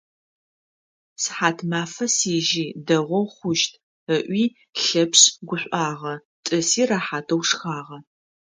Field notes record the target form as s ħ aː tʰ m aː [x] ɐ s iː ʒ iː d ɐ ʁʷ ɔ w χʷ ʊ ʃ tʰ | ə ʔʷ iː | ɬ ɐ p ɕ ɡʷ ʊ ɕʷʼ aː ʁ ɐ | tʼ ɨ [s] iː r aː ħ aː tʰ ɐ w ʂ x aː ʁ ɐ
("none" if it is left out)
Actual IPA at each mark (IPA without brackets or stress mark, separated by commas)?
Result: f, s